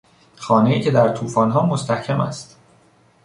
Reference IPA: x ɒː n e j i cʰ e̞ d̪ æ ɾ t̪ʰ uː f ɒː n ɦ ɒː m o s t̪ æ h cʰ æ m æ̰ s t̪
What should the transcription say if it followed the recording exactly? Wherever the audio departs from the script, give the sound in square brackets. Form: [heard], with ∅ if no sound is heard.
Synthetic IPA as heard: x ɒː n e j [iː] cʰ e̞ d̪ æ ɾ t̪ʰ uː f ɒː n ɦ ɒː m o s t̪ æ h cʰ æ m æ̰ s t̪